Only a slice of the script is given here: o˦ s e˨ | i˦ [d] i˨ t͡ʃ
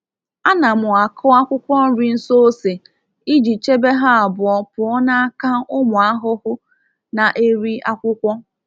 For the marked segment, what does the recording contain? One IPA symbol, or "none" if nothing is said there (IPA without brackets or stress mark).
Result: d͡ʒ